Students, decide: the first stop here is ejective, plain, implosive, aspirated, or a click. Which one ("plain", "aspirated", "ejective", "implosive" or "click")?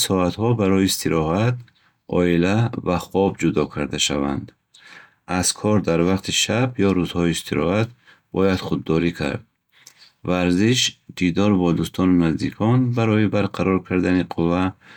plain